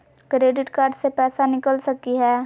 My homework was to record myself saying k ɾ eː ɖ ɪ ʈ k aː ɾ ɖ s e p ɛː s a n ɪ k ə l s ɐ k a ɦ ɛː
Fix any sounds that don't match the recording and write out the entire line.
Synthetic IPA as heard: k ɾ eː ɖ ɪ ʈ k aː ɾ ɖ s e p ɛː s a n ɪ k ə l s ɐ k i ɦ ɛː